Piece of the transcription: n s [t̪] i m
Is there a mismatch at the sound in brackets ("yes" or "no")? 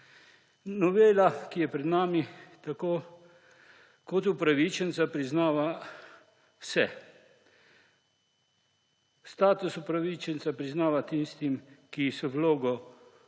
no